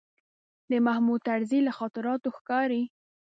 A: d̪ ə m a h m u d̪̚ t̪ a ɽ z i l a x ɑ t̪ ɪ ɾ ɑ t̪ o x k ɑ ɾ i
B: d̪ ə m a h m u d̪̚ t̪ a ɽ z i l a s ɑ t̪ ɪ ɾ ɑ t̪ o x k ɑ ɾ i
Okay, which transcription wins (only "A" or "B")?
A